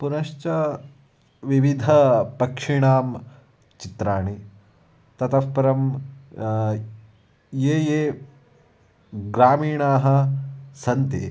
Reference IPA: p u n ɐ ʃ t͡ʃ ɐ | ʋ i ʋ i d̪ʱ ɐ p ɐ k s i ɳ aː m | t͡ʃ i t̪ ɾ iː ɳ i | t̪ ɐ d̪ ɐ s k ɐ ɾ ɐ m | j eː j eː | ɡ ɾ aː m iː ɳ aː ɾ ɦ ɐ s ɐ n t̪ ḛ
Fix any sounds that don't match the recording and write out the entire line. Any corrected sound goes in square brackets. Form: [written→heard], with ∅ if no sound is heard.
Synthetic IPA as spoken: p u n ɐ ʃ t͡ʃ ɐ | ʋ i ʋ i d̪ʱ ɐ p ɐ k [s→ʂ] i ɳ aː m | t͡ʃ i t̪ ɾ [iː→aː] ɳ i | t̪ ɐ [d̪→t̪] ɐ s [k→p] ɐ ɾ ɐ m | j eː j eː | ɡ ɾ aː m iː ɳ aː [ɾ→∅] ɦ ɐ s ɐ n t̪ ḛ